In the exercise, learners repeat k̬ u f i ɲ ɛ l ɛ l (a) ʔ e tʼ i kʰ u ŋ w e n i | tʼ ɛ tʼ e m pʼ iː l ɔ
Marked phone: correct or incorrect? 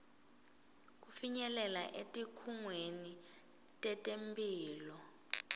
correct